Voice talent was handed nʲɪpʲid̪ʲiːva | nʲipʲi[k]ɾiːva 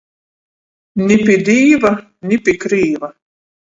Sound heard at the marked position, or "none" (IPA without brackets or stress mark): k